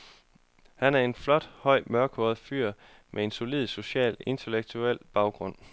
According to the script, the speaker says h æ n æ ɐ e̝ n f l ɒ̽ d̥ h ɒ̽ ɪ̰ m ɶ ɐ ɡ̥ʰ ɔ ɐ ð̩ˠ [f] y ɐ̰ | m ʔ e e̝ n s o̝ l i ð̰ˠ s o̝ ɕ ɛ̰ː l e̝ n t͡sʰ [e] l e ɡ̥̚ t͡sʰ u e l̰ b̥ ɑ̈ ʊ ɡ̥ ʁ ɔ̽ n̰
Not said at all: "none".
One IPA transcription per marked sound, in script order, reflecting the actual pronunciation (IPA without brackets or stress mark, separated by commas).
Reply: f, e